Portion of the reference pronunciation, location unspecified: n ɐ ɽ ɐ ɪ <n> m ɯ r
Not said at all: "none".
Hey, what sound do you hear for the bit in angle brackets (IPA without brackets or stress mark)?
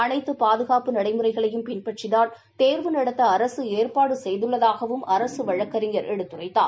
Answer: none